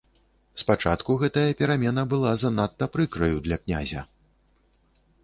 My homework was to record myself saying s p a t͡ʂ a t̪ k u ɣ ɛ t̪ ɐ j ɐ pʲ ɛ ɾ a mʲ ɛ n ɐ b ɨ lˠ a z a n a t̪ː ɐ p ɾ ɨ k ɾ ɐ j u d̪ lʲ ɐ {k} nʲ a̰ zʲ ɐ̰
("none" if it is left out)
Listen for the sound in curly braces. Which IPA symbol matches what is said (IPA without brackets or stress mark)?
k